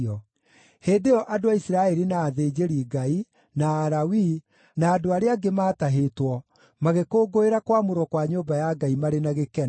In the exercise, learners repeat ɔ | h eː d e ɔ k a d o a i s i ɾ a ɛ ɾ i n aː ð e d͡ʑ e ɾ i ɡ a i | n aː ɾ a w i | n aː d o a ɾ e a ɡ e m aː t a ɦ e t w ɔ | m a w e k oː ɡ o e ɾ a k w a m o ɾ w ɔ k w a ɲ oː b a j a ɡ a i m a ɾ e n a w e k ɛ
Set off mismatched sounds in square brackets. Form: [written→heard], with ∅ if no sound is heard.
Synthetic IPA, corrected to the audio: ɔ | h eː d e ɔ [k→ʔ] a d o a i s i ɾ a ɛ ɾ i n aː ð e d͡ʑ e ɾ i ɡ a i | n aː ɾ a w i | n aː d o a ɾ e a ɡ e m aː t a ɦ e t w ɔ | m a [w→ɣ] e k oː ɡ o e ɾ a k w a m o ɾ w ɔ k w a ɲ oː b a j a ɡ a i m a ɾ e n a [w→ɣ] e k ɛ